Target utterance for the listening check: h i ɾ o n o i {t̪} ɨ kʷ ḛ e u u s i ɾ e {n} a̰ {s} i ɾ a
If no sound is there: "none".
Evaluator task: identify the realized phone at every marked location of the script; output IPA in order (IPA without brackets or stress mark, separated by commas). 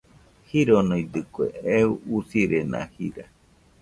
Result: d̪, n, h